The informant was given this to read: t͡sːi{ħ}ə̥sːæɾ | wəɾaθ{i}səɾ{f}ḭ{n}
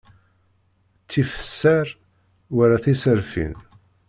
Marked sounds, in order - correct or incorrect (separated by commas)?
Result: incorrect, correct, correct, correct